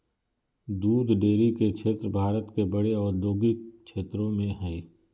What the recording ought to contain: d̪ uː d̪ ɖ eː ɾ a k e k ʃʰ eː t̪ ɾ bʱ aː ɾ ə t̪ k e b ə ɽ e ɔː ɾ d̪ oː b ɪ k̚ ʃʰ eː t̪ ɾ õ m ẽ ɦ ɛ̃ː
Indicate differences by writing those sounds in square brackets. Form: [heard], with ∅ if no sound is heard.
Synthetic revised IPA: d̪ uː d̪ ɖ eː ɾ [i] k e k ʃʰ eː t̪ ɾ bʱ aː ɾ ə t̪ k e b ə ɽ e ɔː ɾ d̪ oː [ɡ] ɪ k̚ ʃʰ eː t̪ ɾ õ m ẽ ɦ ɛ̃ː